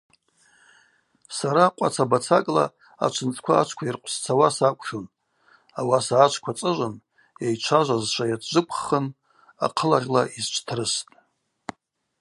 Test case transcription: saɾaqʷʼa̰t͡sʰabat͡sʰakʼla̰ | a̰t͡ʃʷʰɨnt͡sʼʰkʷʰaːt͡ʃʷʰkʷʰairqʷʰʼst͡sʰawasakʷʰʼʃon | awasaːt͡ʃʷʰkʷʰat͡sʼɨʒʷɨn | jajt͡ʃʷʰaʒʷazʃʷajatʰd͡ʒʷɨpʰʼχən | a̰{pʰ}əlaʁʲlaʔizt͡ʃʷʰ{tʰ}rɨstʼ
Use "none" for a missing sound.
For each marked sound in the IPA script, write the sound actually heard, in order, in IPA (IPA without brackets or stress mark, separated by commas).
qʰ, tʰ